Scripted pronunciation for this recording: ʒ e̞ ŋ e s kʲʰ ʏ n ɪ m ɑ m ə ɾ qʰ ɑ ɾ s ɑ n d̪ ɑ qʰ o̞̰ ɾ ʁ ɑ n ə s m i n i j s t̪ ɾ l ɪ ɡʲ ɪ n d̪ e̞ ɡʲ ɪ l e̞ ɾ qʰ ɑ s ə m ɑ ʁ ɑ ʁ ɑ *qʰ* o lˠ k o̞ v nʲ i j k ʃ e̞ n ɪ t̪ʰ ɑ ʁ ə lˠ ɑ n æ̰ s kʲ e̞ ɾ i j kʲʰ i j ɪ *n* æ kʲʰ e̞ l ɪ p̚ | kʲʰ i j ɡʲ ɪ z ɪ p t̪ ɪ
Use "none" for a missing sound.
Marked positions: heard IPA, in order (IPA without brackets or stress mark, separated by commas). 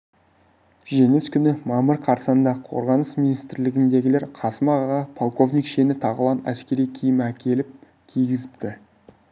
pʰ, m